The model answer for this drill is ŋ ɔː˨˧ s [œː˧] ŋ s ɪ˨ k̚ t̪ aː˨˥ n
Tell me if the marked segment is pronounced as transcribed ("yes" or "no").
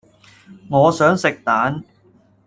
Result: no